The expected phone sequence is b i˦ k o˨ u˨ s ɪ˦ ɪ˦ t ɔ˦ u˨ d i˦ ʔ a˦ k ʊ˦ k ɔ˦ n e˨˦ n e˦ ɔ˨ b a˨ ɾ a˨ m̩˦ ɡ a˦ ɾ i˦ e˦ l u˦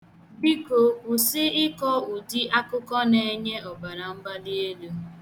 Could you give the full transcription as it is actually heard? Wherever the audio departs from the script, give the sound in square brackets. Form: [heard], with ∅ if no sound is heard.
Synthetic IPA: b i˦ k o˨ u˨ s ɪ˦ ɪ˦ [k] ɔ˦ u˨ d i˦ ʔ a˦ k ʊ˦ k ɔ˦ n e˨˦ [ɲ] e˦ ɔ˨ b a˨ ɾ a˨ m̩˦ [b] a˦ [l] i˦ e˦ l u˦